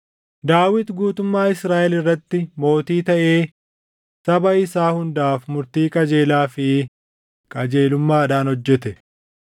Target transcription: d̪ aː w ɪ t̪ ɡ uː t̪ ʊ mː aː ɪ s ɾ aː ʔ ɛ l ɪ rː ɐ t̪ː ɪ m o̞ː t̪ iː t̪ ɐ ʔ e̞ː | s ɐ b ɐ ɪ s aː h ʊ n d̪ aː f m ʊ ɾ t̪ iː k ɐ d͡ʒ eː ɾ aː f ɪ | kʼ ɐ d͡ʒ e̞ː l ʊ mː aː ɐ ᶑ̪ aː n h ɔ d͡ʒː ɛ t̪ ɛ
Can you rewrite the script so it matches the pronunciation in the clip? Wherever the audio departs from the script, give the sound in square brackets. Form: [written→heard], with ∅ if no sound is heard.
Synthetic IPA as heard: d̪ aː w ɪ t̪ ɡ uː t̪ ʊ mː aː ɪ s ɾ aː ʔ ɛ l ɪ rː ɐ t̪ː ɪ m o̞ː t̪ iː t̪ ɐ ʔ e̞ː | s ɐ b ɐ ɪ s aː h ʊ n d̪ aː f m ʊ ɾ t̪ iː [k→kʼ] ɐ d͡ʒ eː [ɾ→l] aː f ɪ | kʼ ɐ d͡ʒ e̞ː l ʊ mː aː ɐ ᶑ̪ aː n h ɔ d͡ʒː ɛ t̪ ɛ